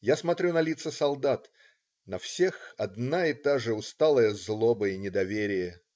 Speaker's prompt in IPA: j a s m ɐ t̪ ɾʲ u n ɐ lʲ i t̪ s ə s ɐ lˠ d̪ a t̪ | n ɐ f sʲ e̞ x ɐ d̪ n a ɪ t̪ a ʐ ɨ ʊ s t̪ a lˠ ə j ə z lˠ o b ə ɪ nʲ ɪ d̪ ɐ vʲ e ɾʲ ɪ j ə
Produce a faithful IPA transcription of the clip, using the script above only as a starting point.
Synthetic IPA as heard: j a s m ɐ t̪ ɾʲ u n ɐ lʲ i t̪ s ə s ɐ lˠ d̪ a t̪ | n ɐ f sʲ e̞ x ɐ d̪ n a ɪ t̪ a ʐ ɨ ʊ s t̪ a lˠ ə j ə z lˠ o b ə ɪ nʲ ɪ d̪ ɐ vʲ e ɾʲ ɪ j ə